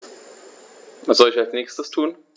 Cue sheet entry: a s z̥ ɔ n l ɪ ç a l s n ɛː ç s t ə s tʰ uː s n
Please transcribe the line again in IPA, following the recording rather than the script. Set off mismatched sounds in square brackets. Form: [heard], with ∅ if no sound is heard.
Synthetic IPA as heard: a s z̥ ɔ [∅] l ɪ ç a l s n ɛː ç s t ə s tʰ uː [∅] n